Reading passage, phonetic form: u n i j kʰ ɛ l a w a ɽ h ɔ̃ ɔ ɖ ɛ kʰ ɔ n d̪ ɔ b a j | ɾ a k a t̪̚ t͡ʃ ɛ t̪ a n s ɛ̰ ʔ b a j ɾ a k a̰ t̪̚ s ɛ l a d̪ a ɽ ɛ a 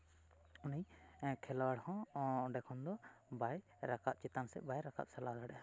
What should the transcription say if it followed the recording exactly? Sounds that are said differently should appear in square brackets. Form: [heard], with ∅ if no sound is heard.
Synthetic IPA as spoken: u n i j kʰ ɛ l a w a ɽ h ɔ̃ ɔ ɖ ɛ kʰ ɔ n d̪ ɔ b a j | ɾ a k a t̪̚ t͡ʃ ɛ t̪ a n s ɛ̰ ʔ b a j ɾ a k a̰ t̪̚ s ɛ l a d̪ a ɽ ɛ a